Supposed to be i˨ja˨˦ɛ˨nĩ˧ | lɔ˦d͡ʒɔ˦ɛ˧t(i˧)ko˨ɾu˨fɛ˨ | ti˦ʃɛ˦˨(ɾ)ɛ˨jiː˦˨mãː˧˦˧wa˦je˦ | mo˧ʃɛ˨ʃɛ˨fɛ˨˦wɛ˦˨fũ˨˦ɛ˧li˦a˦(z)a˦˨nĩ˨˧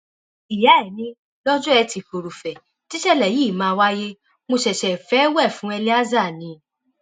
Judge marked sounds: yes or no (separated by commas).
yes, no, yes